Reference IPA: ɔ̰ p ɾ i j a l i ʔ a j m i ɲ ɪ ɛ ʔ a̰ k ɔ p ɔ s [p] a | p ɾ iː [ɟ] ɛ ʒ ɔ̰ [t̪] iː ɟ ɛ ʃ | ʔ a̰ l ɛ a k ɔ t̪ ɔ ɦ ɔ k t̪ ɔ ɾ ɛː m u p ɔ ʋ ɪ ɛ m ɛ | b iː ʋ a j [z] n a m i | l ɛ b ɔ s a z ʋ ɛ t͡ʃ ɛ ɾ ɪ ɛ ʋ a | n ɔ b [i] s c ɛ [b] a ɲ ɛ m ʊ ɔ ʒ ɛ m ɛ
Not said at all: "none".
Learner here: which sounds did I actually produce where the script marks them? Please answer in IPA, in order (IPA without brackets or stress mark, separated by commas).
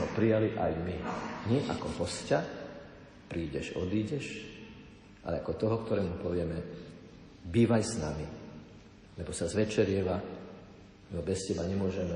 c, ɟ, d̪, s, ɛ, b